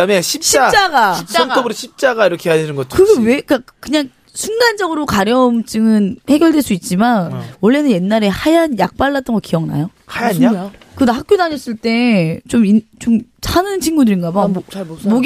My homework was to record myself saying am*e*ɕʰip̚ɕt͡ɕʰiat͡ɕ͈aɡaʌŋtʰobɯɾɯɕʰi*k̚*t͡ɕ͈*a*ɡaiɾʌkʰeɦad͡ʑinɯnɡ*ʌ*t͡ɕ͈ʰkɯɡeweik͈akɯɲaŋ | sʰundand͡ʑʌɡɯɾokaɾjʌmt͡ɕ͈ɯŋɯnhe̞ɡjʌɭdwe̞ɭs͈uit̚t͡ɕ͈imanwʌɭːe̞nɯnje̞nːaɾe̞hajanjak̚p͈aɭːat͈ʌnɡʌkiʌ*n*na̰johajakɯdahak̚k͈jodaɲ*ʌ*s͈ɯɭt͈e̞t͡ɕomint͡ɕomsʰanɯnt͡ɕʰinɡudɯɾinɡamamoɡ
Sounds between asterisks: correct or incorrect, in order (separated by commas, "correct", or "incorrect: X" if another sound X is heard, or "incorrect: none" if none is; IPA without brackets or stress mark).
correct, incorrect: p̚, correct, correct, incorrect: ŋ, correct